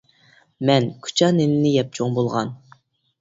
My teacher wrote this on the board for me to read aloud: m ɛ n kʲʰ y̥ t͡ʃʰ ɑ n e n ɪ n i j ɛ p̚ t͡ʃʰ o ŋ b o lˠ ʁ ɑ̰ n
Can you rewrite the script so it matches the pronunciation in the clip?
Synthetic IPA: m ɛ n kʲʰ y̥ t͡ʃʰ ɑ n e n ɪ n ɪ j ɛ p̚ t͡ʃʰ o ŋ b o lˠ ʁ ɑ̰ n